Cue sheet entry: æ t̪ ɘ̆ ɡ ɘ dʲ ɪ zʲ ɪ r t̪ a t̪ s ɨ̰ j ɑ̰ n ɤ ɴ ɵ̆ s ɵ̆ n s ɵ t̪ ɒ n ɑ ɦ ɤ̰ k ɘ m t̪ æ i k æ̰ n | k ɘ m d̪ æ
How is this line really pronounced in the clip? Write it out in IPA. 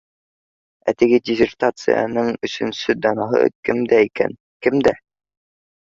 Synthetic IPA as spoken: æ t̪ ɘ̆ ɡ ɘ dʲ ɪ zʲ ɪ r t̪ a t̪ s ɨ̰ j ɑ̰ n ɤ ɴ ɵ̆ s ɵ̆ n s ɵ d̪ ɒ n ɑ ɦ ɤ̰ k ɘ m d̪ æ i k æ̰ n | k ɘ m d̪ æ